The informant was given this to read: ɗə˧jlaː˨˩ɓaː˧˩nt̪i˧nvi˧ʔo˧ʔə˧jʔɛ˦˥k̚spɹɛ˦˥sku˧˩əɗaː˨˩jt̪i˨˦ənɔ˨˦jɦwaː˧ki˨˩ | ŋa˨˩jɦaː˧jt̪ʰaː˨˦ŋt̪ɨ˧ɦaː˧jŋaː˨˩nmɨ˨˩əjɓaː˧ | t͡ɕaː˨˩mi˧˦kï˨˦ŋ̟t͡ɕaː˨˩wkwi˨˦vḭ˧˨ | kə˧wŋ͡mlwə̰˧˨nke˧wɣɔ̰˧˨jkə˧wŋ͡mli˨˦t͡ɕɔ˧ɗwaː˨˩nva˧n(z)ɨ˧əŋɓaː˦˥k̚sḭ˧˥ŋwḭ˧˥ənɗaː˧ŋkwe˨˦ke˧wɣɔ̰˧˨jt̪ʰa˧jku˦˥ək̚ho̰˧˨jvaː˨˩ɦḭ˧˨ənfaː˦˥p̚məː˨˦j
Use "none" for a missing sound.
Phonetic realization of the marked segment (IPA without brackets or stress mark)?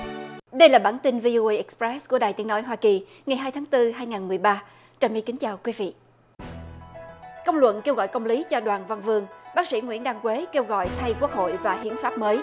v